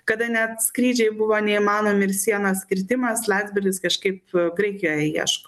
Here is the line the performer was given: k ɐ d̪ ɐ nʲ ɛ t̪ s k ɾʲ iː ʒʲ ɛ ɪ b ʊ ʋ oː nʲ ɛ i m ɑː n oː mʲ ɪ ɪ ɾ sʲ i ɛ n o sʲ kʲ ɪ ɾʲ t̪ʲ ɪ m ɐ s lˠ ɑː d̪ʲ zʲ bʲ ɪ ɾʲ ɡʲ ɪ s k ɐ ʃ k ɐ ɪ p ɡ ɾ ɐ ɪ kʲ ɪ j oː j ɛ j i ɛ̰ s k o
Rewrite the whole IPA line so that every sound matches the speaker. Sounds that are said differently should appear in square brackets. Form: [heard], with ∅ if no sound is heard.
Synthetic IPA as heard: k ɐ d̪ ɐ nʲ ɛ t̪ s k ɾʲ iː [d͡ʒʲ] ɛ ɪ b ʊ ʋ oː nʲ ɛ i m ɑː n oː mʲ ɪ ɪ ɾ sʲ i ɛ n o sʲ kʲ ɪ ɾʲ t̪ʲ ɪ m ɐ s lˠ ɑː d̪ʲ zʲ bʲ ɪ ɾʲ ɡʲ ɪ s k ɐ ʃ k ɐ ɪ p ɡ ɾ ɐ ɪ kʲ ɪ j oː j ɛ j i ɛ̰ [ʃ] k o